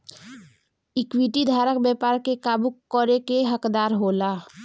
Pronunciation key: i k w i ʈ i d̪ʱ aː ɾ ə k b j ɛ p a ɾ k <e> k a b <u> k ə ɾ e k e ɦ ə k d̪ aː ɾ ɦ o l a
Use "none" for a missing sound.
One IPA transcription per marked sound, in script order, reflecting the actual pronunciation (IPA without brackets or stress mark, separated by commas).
e, u